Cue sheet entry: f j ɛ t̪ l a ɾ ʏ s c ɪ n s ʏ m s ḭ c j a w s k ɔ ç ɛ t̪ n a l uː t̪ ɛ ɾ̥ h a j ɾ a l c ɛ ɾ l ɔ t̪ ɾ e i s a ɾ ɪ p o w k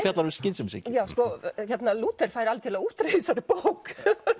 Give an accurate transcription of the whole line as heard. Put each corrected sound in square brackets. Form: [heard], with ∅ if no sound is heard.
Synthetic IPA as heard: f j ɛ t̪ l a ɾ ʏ s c ɪ n s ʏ m s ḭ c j a w s k ɔ ç ɛ t̪ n a l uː t̪ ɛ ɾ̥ [f] a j ɾ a l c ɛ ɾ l [u] t̪ ɾ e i s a ɾ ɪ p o w k

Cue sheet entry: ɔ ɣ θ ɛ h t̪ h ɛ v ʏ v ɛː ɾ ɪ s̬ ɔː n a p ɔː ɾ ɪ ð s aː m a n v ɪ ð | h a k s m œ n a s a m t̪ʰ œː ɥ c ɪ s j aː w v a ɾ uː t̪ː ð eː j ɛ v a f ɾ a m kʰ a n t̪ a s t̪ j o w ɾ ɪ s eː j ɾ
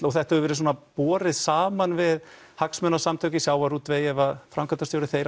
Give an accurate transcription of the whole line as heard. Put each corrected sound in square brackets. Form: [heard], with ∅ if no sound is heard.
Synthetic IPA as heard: ɔ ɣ θ ɛ h t̪ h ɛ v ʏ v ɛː ɾ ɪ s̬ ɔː n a p ɔː ɾ ɪ ð s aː m a n v ɪ ð | h a k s m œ n a s a m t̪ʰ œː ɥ c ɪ s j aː w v a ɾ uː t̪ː [v] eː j ɛ v a f ɾ a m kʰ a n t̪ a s t̪ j o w ɾ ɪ [θ] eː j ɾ

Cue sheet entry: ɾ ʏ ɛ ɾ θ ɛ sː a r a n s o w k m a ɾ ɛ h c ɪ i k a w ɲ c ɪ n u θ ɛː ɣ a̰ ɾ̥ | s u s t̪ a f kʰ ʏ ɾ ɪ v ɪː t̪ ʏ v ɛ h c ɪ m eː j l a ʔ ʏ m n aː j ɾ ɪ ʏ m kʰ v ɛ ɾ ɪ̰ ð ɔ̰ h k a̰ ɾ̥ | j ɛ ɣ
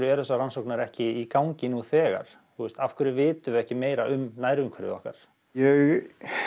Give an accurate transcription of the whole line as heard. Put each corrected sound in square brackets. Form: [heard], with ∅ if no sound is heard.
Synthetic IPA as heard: ɾ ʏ ɛ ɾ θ ɛ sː a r a n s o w k [n] a ɾ ɛ h c ɪ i k a w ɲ c ɪ n u θ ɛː ɣ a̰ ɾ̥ | [θ] u s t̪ a f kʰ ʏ ɾ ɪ v ɪː t̪ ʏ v ɛ h c ɪ m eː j [ɾ] a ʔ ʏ m n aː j ɾ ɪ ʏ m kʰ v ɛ ɾ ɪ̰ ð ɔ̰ h k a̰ ɾ̥ | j ɛ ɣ

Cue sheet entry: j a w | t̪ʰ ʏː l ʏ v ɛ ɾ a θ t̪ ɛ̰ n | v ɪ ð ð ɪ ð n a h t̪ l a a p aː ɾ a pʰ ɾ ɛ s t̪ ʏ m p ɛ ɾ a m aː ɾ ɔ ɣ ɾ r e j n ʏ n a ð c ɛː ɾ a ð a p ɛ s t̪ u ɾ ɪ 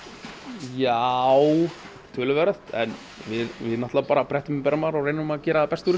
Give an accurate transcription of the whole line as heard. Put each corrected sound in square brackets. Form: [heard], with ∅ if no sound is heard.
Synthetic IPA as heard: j a w | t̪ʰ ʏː l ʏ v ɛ ɾ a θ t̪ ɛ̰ n | v ɪ ð [v] ɪ ð n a h t̪ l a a p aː ɾ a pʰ ɾ ɛ [h] t̪ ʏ m p ɛ ɾ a m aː ɾ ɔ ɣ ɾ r e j n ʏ [m] a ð c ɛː ɾ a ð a p ɛ s t̪ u ɾ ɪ

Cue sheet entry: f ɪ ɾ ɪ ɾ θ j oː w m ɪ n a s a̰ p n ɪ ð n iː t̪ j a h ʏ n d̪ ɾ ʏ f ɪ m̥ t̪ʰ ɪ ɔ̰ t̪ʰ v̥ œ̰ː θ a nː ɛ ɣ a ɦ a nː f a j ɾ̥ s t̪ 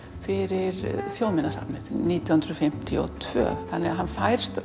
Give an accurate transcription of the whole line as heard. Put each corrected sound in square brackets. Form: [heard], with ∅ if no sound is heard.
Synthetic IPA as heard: f ɪ ɾ ɪ ɾ θ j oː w m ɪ n a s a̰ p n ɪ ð n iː t̪ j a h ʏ n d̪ ɾ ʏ f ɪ m̥ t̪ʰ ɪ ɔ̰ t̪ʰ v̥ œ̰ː θ a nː ɛ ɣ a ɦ a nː f a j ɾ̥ s t̪

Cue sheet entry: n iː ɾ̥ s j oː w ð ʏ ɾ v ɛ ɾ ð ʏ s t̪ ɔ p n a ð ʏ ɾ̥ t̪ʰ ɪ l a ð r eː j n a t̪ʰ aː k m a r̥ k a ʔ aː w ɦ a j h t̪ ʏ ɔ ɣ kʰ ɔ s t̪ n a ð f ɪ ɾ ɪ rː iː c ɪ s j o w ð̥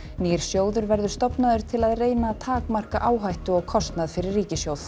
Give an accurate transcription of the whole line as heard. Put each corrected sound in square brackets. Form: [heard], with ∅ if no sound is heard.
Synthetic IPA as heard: n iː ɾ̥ s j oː w ð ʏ ɾ v ɛ ɾ ð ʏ s t̪ ɔ p n a ð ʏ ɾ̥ t̪ʰ ɪ l a ð r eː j n a t̪ʰ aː k m a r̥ k a ʔ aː w ɦ a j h t̪ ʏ ɔ ɣ kʰ ɔ s t̪ n a ð f ɪ ɾ ɪ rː iː c ɪ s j o w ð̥

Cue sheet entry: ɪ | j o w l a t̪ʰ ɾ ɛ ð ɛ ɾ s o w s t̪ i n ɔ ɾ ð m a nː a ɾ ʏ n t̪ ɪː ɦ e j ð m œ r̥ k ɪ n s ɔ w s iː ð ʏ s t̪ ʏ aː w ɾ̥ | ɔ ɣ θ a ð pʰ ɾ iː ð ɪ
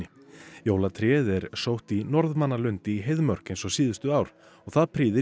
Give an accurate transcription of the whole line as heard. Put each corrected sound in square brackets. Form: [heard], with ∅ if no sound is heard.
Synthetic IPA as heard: ɪ | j o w l a t̪ʰ ɾ ɛ ð ɛ ɾ s o w [h] t̪ i n ɔ ɾ ð m a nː a [l] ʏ n t̪ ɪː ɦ e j ð m œ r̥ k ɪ n s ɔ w s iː ð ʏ s t̪ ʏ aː w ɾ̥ | ɔ ɣ θ a ð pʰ ɾ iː ð ɪ

